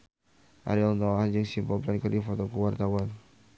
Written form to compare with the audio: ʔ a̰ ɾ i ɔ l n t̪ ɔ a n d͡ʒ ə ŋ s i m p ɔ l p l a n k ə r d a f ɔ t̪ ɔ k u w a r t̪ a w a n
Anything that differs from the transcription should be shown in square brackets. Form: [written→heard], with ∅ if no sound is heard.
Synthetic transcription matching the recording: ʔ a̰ ɾ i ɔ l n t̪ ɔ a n d͡ʒ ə ŋ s i m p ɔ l p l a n k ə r d [a→i] f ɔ t̪ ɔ k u w a r t̪ a w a n